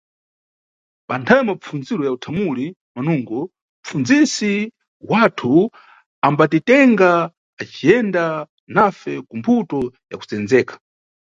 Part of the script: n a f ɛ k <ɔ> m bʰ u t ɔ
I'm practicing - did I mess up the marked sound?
yes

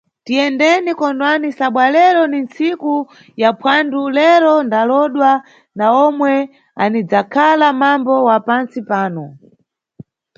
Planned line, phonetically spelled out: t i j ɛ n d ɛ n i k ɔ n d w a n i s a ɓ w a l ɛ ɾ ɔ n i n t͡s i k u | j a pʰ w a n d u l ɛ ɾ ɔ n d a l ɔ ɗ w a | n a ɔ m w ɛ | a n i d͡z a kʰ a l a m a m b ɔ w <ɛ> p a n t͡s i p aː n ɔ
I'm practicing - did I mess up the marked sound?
yes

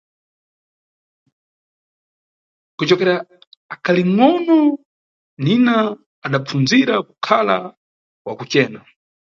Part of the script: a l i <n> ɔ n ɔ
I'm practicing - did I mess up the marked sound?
yes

